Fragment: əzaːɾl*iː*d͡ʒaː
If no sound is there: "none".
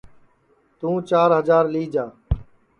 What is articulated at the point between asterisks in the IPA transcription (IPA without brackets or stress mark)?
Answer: iː